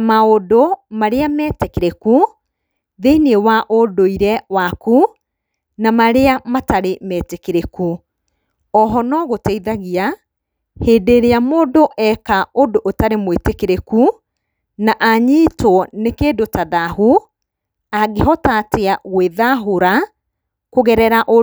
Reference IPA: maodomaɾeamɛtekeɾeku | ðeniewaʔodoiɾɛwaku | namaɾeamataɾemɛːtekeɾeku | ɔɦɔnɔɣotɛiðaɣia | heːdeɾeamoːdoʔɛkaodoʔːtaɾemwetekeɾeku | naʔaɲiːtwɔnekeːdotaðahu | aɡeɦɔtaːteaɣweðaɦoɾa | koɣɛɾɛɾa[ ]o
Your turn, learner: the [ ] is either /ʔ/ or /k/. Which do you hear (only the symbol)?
ʔ